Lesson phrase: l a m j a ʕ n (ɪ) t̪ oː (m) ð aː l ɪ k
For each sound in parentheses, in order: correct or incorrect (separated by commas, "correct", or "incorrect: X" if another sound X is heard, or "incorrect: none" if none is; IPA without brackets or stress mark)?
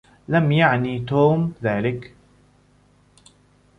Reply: incorrect: i, correct